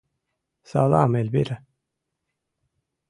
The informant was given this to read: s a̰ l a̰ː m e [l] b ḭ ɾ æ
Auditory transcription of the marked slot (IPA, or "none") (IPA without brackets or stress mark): l